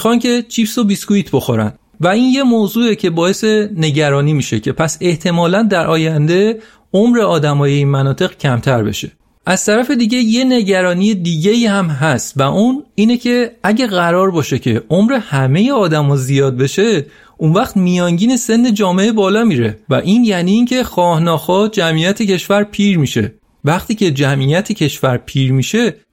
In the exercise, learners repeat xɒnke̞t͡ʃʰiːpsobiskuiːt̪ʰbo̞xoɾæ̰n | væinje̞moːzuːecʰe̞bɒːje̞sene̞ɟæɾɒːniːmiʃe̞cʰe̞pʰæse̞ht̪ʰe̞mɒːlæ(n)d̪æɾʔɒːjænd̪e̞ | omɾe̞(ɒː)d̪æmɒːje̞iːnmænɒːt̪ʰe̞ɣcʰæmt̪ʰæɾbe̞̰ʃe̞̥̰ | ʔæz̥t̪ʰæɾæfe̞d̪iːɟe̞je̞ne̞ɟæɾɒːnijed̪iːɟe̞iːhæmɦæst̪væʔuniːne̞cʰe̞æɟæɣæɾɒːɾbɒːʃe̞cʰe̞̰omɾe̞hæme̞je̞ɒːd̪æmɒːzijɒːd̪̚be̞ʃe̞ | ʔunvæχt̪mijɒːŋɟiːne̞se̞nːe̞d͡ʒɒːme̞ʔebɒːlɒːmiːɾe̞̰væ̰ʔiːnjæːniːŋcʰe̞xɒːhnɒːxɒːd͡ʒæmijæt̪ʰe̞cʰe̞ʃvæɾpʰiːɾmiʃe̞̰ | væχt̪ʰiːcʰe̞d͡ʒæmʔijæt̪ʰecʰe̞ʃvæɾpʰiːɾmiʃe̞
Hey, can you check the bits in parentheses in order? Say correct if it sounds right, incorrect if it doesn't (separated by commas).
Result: correct, correct